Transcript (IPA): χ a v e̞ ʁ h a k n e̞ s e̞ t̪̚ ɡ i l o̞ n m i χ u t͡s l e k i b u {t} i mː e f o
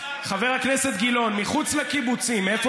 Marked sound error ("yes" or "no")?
yes